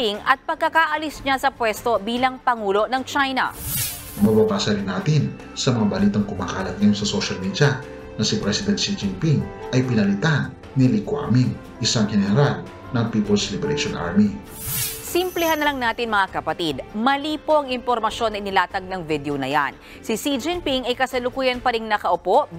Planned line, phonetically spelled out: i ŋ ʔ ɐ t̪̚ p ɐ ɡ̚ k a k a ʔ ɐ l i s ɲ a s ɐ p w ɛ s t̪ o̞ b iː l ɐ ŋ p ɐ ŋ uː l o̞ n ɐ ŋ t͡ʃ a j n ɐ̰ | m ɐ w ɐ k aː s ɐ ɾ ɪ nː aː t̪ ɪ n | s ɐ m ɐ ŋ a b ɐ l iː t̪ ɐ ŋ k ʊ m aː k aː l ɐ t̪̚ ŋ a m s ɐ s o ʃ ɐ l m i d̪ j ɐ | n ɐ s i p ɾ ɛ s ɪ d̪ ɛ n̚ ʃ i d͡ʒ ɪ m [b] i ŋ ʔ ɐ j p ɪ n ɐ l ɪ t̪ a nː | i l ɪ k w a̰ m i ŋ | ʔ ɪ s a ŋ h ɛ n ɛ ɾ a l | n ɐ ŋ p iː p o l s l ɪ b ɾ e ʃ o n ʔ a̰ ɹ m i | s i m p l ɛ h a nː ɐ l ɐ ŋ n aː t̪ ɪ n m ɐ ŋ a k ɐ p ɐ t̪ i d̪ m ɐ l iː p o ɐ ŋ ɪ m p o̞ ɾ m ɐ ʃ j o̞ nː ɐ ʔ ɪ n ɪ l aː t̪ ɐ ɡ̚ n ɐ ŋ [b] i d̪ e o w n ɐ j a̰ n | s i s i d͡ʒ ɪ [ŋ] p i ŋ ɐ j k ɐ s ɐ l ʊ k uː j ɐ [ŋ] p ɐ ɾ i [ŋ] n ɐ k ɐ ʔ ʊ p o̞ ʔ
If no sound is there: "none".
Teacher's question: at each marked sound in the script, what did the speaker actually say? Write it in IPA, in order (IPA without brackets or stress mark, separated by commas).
p, v, n, n, ŋ